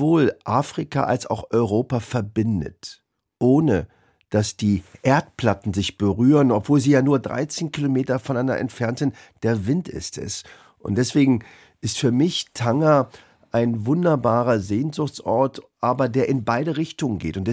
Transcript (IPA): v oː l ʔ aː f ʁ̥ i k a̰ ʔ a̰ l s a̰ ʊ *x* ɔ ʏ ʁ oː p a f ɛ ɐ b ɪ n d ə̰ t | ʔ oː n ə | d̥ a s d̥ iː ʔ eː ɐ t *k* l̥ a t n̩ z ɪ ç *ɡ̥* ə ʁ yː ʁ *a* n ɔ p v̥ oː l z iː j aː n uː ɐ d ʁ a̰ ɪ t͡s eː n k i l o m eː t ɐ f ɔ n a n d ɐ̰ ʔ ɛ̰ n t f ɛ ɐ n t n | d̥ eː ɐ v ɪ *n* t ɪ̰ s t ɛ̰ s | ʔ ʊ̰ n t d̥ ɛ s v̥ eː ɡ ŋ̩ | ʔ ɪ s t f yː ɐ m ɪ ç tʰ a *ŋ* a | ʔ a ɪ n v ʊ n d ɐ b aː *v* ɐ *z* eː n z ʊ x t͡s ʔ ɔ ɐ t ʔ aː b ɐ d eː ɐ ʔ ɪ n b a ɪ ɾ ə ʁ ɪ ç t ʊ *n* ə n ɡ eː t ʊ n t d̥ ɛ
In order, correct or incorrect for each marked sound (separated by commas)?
correct, incorrect, incorrect, incorrect, correct, correct, incorrect, correct, incorrect